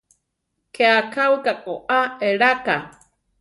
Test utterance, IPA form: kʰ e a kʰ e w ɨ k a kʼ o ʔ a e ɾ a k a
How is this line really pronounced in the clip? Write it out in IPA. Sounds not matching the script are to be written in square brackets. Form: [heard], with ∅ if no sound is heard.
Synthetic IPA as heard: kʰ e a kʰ [a] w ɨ k a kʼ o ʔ a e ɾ a k a